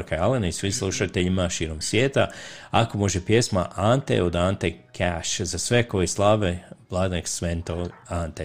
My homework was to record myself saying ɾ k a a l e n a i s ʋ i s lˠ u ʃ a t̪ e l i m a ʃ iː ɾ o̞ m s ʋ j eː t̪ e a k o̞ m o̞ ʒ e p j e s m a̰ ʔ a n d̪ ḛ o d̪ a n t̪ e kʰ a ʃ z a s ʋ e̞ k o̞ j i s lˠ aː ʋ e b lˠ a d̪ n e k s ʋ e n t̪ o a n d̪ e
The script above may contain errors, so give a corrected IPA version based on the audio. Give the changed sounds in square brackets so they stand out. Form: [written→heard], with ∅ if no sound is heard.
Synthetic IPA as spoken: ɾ k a a l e n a i s ʋ i s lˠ u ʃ a t̪ e [l→ʎ] i m a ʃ iː ɾ o̞ m s ʋ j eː t̪ [e→a] a k o̞ m o̞ ʒ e p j e s m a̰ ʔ a n [d̪→t̪] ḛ o d̪ a n t̪ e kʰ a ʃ z a s ʋ e̞ k o̞ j i s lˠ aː ʋ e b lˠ a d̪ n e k s ʋ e n t̪ o a n [d̪→t̪] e